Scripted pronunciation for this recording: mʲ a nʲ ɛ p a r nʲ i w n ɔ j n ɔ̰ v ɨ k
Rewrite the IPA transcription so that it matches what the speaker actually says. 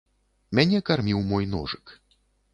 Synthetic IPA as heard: mʲ a nʲ ɛ k a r mʲ i w m ɔ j n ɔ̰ ʐ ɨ k